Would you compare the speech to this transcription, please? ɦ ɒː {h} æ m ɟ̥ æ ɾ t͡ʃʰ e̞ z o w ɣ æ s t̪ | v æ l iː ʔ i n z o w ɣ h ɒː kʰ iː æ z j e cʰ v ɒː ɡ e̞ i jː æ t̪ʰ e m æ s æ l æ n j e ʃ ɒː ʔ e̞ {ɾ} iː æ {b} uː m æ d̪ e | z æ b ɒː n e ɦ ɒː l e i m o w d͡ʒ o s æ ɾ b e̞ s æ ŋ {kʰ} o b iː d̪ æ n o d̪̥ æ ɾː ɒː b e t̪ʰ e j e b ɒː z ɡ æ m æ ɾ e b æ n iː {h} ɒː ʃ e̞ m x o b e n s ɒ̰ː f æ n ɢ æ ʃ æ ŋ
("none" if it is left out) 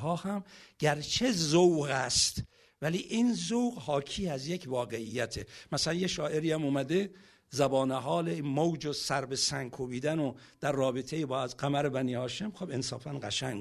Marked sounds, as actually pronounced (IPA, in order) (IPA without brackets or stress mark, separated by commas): h, ɾ, m, kʰ, h